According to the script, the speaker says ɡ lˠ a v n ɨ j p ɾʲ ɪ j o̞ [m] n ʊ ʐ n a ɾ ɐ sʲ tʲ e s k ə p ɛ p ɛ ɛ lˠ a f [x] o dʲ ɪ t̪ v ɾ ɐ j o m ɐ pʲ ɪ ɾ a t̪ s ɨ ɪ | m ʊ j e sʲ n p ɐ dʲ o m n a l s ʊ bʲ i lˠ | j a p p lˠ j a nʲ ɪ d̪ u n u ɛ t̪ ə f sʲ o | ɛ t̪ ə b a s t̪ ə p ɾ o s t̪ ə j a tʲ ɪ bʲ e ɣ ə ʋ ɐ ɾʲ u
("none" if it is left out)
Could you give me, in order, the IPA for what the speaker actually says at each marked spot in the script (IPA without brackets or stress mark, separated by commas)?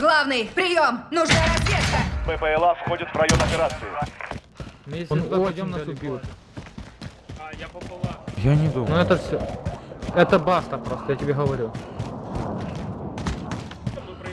m, x